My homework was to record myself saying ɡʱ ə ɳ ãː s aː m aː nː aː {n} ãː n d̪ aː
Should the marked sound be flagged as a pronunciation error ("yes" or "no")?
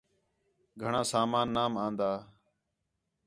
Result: yes